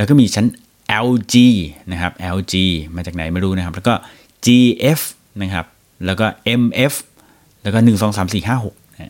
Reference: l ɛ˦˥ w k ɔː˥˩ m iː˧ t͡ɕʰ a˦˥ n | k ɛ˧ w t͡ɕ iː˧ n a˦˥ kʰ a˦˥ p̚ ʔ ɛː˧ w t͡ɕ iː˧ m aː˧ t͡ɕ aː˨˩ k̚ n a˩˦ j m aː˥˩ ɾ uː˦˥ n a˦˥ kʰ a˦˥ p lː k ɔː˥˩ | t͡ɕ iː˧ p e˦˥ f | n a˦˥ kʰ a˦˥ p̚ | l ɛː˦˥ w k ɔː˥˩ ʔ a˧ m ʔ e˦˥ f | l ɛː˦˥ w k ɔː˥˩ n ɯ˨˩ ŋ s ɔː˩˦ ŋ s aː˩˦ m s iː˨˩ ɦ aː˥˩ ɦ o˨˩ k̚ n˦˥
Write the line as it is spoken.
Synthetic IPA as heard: l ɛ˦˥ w k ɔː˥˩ m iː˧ t͡ɕʰ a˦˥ n | ʔ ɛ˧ w t͡ɕ iː˧ n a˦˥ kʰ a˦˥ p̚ ʔ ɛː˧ w t͡ɕ iː˧ m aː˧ t͡ɕ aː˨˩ k̚ n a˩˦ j m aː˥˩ ɾ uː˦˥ n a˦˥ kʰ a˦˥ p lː k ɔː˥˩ | t͡ɕ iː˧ ʔ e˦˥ f | n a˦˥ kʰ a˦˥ p̚ | l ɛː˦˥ w k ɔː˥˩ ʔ e˧ m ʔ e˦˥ f | l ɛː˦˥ w k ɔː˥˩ n ɯ˨˩ ŋ s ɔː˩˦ ŋ s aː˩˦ m s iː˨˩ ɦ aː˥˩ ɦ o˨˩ k̚ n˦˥